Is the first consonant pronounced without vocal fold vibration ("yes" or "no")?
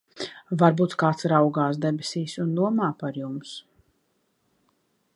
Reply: no